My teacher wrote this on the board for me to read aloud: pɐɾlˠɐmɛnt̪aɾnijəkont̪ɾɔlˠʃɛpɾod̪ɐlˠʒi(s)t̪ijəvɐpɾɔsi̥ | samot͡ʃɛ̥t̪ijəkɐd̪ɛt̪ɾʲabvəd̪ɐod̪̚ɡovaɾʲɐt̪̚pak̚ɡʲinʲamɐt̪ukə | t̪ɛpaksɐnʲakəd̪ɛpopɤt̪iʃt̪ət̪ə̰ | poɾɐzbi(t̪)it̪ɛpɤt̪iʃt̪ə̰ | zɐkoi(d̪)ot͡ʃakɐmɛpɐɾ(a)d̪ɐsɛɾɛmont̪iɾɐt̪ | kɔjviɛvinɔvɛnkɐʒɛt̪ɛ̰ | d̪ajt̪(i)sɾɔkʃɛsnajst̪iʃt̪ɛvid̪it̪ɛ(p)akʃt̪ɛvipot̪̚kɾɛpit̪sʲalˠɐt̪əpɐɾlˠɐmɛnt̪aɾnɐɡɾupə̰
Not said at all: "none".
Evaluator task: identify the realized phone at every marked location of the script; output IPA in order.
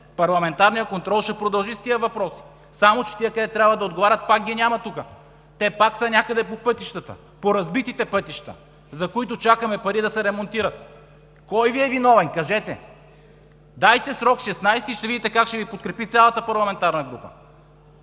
s, t̪, t̪, i, ɛ, k

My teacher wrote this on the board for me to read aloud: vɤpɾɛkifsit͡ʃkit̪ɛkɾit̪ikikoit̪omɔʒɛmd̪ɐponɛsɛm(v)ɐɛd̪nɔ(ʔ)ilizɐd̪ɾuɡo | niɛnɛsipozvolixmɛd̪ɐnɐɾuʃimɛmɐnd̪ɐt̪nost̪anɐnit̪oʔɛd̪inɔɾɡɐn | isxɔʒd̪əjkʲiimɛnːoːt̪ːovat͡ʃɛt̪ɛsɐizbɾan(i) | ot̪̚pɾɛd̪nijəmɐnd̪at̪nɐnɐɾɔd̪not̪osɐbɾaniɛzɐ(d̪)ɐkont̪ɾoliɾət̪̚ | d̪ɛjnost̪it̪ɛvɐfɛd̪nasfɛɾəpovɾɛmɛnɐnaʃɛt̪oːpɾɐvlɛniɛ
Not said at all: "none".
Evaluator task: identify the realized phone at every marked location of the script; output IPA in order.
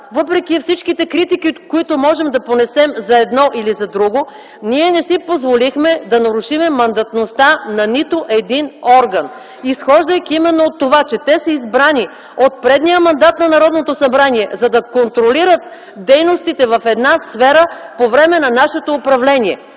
z, ʔ, i, d̪

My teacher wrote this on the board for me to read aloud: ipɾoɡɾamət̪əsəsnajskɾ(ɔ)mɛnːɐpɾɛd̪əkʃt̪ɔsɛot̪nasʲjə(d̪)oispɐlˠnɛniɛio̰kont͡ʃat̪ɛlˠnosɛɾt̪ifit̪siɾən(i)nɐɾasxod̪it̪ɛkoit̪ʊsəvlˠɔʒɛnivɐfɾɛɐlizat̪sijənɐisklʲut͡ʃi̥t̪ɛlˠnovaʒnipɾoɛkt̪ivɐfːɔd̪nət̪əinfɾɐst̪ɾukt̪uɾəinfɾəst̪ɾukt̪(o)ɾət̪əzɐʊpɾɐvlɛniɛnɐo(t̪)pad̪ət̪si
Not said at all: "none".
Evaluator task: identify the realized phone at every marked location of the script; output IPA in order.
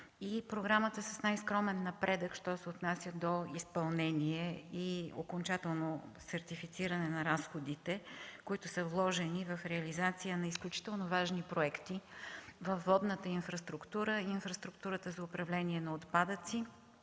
ɔ, d̪, ɛ, u, t̪

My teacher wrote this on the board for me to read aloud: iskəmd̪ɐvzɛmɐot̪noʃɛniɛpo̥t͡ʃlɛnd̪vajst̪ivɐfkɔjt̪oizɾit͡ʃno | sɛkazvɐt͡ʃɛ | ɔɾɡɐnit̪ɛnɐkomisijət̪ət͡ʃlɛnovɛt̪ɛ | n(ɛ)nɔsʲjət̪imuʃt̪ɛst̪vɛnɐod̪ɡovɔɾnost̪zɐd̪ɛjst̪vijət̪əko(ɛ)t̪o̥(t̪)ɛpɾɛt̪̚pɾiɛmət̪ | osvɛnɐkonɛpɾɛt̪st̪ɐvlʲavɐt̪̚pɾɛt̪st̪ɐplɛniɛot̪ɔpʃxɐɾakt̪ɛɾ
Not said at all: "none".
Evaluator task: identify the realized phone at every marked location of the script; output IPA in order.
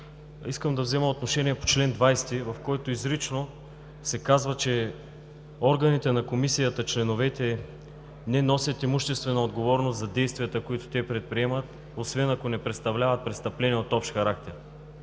ɛ, i, t̪

